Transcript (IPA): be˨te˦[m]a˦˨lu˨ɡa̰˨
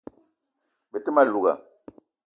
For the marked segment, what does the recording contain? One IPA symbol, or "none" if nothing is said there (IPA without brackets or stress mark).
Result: m